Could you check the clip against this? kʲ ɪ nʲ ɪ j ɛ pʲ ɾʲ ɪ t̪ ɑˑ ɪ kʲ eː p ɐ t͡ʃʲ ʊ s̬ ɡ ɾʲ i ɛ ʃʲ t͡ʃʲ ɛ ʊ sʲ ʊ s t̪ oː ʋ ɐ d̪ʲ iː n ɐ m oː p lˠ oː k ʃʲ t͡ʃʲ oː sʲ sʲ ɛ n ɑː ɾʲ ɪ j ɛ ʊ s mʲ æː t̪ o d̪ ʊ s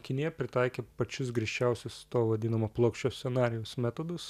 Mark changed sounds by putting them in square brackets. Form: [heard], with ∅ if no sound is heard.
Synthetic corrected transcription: kʲ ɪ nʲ ɪ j ɛ pʲ ɾʲ ɪ t̪ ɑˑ ɪ kʲ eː p ɐ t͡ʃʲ ʊ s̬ ɡ ɾʲ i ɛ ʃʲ t͡ʃʲ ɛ ʊ sʲ ʊ s t̪ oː ʋ ɐ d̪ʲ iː n ɐ m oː p lˠ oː k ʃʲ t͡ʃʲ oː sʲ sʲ ɛ n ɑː ɾʲ ɪ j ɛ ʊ s mʲ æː t̪ o d̪ ʊ s

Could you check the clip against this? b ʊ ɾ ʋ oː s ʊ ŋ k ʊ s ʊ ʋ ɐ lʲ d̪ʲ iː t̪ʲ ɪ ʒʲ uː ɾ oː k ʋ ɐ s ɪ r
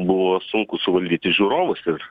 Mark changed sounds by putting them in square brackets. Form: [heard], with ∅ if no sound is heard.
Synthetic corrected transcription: b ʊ [∅] ʋ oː s ʊ ŋ k ʊ s ʊ ʋ ɐ lʲ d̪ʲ iː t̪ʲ ɪ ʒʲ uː ɾ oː [∅] ʋ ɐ s ɪ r

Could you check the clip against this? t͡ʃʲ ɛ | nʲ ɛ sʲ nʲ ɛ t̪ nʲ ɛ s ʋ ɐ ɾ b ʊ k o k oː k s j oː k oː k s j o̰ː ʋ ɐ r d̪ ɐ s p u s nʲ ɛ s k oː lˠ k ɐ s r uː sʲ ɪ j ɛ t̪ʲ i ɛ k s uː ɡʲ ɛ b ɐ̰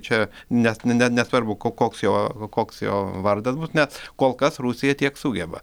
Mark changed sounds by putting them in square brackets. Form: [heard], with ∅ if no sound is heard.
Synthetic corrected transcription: t͡ʃʲ ɛ | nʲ ɛ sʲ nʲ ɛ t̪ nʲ ɛ s ʋ ɐ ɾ b ʊ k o k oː k s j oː k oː k s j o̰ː ʋ ɐ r d̪ ɐ s [b] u s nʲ ɛ s k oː lˠ k ɐ s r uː sʲ ɪ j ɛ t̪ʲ i ɛ k s uː ɡʲ ɛ b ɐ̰

